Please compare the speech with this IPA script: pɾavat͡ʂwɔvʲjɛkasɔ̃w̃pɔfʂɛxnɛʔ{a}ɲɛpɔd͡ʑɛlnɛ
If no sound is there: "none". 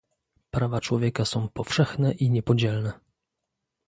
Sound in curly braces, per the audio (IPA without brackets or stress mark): i